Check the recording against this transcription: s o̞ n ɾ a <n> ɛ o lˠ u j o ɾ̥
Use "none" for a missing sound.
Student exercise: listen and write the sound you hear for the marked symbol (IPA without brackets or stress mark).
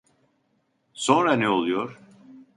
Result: n